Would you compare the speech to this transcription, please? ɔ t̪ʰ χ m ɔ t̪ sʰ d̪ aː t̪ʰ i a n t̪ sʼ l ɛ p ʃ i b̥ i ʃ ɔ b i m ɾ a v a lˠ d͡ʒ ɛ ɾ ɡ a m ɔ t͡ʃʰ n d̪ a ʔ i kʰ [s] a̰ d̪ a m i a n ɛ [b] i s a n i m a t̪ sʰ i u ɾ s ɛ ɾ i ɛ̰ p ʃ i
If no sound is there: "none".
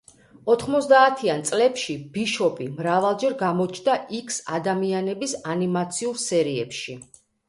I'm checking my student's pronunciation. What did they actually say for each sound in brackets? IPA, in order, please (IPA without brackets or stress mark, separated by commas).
s, b